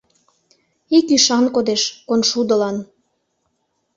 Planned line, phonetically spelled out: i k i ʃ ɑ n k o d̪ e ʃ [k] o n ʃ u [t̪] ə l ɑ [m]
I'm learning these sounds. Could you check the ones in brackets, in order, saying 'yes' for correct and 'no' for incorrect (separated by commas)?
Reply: yes, no, no